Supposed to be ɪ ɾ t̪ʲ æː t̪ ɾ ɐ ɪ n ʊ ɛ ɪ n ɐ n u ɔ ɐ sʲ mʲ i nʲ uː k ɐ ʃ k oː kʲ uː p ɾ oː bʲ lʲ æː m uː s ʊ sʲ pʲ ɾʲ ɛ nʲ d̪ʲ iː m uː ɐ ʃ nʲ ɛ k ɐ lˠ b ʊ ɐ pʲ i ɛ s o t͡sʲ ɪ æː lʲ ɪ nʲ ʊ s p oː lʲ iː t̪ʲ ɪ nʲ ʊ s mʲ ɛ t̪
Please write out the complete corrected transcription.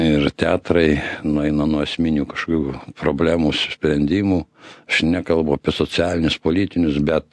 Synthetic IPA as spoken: ɪ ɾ t̪ʲ æː t̪ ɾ ɐ ɪ n ʊ ɛ ɪ n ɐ n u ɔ ɐ sʲ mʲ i nʲ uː k ɐ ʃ k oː kʲ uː p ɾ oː bʲ lʲ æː m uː s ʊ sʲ pʲ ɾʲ ɛ nʲ d̪ʲ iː m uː ɐ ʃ nʲ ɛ k ɐ lˠ b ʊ ɐ pʲ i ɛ s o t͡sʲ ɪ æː lʲ ɪ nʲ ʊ s p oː lʲ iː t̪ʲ ɪ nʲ ʊ s bʲ ɛ t̪